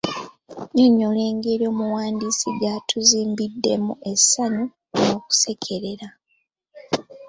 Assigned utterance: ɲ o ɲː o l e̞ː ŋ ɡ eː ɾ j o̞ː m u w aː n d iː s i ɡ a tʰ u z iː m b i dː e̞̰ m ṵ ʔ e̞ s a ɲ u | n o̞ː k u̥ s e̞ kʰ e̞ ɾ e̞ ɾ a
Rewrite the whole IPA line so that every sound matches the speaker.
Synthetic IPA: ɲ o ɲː o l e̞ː ŋ ɡ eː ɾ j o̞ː m u w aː n d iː s i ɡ a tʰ u z iː m b i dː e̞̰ m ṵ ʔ e̞ s a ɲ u | n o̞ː k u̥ s e̞ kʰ e̞ ɾ e̞ ɾ a